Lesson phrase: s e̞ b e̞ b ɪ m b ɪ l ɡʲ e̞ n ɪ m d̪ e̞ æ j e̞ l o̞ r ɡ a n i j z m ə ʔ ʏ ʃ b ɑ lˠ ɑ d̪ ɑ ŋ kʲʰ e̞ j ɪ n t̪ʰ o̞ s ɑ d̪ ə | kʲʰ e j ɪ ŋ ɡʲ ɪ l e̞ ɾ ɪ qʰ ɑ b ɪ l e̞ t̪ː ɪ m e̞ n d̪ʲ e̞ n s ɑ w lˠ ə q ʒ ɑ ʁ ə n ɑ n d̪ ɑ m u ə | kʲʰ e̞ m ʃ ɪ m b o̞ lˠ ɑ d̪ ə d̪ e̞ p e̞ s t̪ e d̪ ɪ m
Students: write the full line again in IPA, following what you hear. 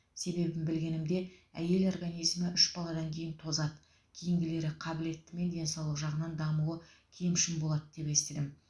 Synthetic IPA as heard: s e̞ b e̞ b ɪ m b ɪ l ɡʲ e̞ n ɪ m d̪ e̞ æ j e̞ l o̞ r ɡ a n i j z m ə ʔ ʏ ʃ b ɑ lˠ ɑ d̪ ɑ ŋ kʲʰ e̞ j ɪ n t̪ʰ o̞ z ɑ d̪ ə | kʲʰ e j ɪ ŋ ɡʲ ɪ l e̞ ɾ ɪ qʰ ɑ b ɪ l e̞ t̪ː ɪ m e̞ n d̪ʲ e̞ n s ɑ w lˠ ə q ʒ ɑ ʁ ə n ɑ n d̪ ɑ m u ə | kʲʰ e̞ m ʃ ɪ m b o̞ lˠ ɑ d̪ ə d̪ e̞ p e̞ s t̪ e d̪ ɪ m